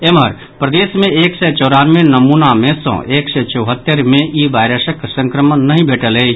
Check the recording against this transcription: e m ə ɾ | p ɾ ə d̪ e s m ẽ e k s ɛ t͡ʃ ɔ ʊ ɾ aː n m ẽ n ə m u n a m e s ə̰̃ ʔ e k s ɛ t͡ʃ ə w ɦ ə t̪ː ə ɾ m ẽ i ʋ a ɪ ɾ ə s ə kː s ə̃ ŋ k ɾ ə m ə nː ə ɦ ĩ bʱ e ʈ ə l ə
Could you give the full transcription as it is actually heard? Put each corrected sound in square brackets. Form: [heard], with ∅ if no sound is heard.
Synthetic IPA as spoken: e m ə ɾ | p ɾ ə d̪ e s m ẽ e k s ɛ t͡ʃ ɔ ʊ ɾ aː n m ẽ n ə m u n a m e s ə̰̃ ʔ e k s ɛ t͡ʃ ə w ɦ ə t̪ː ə ɾ m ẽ i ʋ a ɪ ɾ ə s ə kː s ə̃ ŋ k ɾ ə m ə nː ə ɦ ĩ bʱ e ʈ ə l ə